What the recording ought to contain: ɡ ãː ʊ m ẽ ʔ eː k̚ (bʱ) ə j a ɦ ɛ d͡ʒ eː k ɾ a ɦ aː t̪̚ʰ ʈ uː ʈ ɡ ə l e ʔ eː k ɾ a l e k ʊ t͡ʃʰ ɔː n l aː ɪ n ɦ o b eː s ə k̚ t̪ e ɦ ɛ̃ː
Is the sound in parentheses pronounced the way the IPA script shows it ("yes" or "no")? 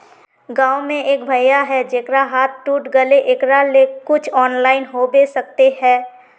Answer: yes